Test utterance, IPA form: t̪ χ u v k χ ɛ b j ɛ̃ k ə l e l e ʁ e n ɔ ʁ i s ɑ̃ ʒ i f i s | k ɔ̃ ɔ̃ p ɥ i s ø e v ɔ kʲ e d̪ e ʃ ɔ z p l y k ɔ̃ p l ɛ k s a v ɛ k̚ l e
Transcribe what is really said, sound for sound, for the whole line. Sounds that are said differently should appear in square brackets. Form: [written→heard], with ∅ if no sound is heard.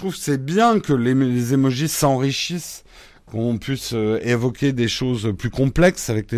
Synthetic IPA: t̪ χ u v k [χ→s] ɛ b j ɛ̃ k ə l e l e [ʁ→z] e [n→m] ɔ [ʁ→ʒ] i s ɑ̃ [ʒ→ʁ] i [f→ʃ] i s | k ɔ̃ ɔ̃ p ɥ i s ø e v ɔ kʲ e d̪ e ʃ [ɔ→o] z p l y k ɔ̃ p l ɛ k s a v ɛ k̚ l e